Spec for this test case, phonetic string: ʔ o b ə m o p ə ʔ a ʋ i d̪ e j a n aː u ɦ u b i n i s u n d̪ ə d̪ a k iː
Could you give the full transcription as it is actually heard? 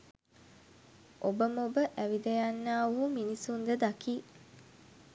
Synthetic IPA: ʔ o b ə m o b ə ʔ æ ʋ i d̪ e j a nː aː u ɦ u m i n i s u n d̪ ə d̪ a k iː